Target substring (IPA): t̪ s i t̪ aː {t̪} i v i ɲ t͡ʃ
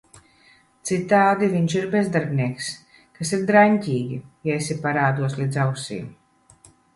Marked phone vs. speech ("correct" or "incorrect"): incorrect